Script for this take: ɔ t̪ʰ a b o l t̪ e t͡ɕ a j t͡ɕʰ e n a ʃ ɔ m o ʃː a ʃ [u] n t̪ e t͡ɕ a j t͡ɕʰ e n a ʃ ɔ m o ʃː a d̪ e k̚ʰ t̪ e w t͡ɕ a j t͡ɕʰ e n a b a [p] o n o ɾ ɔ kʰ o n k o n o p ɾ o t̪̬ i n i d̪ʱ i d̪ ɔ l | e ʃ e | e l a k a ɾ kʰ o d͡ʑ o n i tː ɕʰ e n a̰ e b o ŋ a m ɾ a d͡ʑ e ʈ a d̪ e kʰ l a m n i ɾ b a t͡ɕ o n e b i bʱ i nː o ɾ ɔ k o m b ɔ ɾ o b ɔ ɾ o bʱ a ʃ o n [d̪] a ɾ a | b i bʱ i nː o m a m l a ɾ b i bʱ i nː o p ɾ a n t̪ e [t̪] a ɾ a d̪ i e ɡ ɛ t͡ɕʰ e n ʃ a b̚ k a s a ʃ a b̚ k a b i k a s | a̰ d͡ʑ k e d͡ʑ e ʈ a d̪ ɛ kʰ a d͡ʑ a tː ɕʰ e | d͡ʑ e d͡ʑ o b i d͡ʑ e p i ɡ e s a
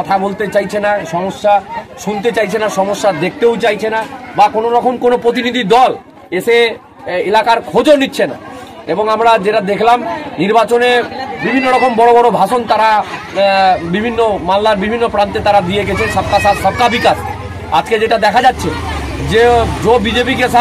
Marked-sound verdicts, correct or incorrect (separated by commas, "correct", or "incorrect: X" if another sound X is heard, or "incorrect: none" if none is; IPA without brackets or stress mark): correct, incorrect: k, incorrect: t̪, correct